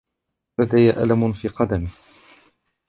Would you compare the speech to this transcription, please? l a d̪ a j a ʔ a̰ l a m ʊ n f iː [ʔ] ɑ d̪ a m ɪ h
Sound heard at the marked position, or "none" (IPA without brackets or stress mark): q